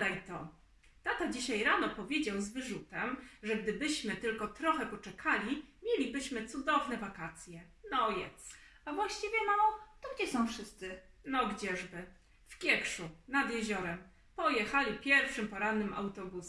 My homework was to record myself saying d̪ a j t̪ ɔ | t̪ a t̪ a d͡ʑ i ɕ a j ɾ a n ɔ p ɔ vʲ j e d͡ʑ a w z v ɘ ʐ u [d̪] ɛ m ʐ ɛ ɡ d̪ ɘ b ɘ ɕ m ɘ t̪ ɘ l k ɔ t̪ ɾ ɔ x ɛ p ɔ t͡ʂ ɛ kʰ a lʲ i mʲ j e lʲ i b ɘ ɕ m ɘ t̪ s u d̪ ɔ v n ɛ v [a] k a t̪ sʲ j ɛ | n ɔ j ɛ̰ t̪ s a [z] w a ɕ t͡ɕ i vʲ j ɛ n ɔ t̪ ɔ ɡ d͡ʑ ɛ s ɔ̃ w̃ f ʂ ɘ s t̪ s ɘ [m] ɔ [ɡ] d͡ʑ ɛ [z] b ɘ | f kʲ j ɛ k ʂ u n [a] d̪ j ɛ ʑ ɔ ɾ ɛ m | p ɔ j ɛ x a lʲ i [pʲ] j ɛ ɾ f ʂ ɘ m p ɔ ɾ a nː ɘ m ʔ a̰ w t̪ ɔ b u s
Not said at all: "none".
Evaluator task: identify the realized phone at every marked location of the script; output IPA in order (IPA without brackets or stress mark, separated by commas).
t̪, a, v, n, ɡ, ʐ, a, pʲ